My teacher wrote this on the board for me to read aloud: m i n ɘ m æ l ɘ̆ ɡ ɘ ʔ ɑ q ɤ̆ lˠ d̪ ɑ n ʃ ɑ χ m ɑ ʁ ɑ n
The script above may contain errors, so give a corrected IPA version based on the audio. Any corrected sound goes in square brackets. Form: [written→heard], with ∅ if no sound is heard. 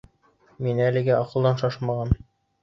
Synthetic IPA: m i n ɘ [m→∅] æ l ɘ̆ ɡ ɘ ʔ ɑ q ɤ̆ lˠ d̪ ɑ n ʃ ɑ [χ→ʃ] m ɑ ʁ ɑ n